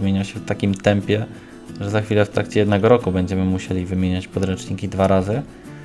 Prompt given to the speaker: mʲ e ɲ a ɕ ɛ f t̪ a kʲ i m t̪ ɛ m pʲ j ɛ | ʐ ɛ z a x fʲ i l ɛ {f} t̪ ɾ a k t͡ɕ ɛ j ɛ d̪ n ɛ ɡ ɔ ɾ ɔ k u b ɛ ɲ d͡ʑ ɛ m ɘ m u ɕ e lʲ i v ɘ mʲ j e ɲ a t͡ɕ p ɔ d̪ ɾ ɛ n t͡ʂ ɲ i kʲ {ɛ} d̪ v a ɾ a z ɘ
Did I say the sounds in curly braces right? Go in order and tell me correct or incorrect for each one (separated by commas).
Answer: correct, incorrect